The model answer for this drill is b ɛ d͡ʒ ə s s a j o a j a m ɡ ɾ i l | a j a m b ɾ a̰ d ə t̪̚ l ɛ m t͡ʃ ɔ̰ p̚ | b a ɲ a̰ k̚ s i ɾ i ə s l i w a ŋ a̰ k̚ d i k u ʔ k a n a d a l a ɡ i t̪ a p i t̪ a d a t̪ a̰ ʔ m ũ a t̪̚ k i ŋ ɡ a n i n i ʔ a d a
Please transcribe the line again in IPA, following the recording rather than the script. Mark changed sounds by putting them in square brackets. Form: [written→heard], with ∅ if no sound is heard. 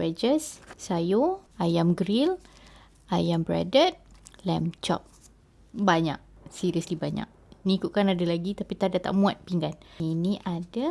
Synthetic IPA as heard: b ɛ d͡ʒ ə s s a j o a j a m ɡ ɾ i l | a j a m b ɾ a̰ d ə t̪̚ l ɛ m t͡ʃ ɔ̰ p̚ | b a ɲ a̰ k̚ s i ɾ i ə s l i [w→b] a [ŋ→ɲ] a̰ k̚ [d→n] i k u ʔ k a n a d a l a ɡ i t̪ a p i t̪ a d a t̪ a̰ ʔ m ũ a t̪̚ [k→p] i ŋ ɡ a n i n i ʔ a d a